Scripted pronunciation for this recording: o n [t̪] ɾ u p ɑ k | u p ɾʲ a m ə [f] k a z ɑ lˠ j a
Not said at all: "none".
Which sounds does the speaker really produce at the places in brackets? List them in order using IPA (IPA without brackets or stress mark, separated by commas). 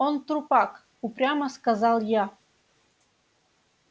t̪, s